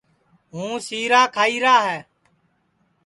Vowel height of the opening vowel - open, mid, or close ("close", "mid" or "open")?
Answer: close